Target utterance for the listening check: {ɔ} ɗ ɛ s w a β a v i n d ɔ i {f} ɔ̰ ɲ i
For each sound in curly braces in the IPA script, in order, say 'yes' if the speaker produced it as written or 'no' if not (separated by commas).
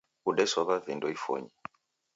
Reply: no, yes